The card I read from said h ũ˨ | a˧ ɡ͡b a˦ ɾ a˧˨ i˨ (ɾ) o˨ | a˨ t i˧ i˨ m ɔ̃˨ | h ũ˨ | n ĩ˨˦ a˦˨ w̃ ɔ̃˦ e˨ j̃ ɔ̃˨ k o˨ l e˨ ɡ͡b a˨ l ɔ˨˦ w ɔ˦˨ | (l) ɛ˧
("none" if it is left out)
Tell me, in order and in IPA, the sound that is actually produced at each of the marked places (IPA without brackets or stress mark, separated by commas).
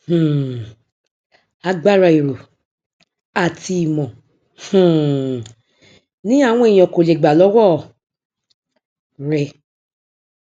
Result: ɾ, ɾ